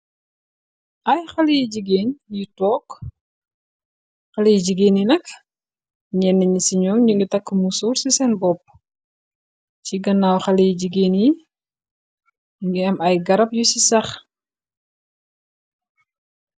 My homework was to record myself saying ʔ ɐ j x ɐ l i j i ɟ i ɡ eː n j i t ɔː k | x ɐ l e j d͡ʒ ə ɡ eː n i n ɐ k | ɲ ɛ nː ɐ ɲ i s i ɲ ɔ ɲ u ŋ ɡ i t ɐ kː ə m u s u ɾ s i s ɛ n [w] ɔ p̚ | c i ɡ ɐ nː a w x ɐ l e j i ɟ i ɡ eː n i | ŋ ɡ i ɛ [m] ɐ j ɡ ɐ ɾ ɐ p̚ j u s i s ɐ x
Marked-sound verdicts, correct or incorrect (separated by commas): incorrect, correct